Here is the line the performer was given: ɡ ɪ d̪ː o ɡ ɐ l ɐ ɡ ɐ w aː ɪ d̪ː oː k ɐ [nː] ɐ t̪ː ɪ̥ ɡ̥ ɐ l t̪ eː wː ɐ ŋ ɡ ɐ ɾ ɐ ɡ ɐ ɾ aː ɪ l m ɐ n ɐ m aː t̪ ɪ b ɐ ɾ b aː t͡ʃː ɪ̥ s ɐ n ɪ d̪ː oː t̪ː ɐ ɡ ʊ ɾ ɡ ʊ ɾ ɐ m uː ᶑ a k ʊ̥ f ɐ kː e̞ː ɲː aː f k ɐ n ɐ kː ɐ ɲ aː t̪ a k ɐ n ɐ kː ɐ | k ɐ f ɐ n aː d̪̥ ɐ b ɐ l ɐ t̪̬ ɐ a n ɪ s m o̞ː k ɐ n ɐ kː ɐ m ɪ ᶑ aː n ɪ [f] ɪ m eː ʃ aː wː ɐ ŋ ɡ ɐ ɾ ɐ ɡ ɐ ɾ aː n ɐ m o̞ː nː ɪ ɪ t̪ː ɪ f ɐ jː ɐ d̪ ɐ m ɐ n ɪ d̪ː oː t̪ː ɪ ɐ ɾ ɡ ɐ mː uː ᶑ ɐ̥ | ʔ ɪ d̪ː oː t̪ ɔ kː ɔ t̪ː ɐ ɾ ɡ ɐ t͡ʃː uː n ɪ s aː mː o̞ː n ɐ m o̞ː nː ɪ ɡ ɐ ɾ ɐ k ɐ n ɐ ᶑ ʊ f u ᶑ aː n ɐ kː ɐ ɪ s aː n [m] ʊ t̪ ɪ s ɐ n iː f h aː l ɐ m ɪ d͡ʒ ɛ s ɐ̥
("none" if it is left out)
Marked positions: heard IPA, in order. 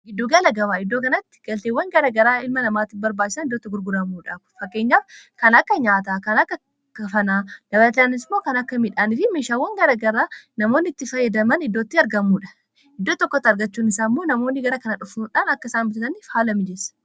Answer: n, f, b

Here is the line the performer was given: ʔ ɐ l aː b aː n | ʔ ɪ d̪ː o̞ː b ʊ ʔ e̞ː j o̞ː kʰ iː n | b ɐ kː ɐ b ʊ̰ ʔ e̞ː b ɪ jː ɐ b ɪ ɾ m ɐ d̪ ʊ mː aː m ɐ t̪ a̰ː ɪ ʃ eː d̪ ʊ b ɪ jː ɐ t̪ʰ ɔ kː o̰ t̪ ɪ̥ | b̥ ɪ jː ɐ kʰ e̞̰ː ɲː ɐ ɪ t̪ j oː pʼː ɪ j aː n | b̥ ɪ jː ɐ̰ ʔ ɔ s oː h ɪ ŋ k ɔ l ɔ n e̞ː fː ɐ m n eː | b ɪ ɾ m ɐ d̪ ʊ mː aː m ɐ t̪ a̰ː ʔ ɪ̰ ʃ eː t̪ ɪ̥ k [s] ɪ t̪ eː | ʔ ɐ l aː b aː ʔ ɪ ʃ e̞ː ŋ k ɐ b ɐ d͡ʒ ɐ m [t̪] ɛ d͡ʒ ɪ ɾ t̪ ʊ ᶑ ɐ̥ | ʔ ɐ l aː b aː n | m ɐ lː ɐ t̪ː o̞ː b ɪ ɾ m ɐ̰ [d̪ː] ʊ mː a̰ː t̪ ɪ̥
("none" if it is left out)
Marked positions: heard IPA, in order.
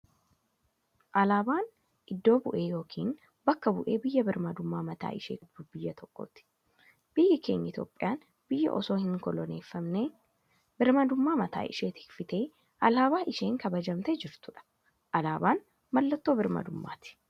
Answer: f, t̪, d̪

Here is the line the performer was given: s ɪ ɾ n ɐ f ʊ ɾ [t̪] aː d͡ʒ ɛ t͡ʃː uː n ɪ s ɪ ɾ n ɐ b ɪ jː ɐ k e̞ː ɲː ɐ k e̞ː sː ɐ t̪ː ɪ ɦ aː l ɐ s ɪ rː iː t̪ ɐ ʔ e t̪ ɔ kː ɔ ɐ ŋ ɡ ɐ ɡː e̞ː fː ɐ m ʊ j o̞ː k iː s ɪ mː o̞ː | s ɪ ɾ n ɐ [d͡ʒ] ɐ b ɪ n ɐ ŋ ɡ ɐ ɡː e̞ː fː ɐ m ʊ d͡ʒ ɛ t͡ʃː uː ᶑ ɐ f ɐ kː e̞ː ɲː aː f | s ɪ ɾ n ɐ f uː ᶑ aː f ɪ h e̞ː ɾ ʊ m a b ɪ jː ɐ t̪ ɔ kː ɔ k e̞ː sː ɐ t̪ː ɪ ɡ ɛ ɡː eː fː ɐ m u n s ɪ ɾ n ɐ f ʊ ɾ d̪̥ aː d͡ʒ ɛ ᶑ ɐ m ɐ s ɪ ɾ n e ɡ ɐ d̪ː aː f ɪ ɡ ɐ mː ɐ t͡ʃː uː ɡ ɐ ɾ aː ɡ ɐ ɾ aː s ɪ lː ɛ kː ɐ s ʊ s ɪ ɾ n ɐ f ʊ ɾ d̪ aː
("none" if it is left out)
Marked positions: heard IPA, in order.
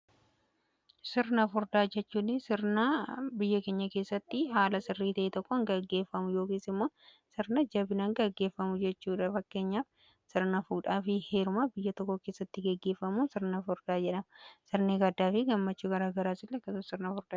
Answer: d̪, d͡ʒ

